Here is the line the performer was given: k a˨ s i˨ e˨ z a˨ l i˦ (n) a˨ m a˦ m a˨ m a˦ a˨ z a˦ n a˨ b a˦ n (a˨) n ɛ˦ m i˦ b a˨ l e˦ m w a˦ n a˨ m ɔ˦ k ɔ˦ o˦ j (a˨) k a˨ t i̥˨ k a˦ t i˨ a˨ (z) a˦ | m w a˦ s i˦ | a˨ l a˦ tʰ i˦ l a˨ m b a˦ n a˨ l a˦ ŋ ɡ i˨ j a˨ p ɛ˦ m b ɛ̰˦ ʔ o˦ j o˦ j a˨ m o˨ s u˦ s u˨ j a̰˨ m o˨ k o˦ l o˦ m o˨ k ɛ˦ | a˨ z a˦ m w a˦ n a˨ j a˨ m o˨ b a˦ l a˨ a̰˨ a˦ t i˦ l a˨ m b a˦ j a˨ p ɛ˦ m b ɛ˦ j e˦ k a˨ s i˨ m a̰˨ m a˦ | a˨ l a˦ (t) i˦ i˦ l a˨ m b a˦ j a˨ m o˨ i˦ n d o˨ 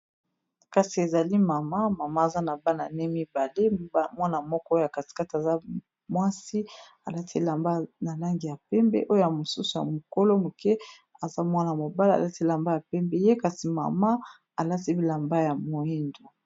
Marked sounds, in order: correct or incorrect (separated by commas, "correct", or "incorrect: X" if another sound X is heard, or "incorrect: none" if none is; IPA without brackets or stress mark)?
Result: incorrect: m, correct, correct, correct, correct